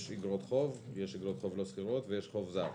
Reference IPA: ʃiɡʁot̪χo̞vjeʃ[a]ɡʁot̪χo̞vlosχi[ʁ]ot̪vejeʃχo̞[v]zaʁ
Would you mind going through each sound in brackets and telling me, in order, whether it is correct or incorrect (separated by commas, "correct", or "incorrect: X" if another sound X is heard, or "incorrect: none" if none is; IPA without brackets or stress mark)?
incorrect: i, correct, correct